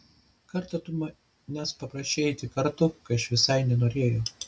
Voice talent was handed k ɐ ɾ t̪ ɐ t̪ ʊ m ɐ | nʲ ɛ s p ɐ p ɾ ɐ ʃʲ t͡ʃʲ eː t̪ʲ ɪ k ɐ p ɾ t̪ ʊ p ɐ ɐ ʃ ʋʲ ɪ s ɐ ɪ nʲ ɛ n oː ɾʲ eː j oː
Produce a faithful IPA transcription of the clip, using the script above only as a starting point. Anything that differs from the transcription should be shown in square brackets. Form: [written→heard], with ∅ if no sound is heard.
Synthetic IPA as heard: k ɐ ɾ t̪ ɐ t̪ ʊ m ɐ | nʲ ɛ s p ɐ p ɾ ɐ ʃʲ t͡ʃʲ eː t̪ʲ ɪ k ɐ [p→∅] ɾ t̪ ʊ [p→k] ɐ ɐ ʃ ʋʲ ɪ s ɐ ɪ nʲ ɛ n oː ɾʲ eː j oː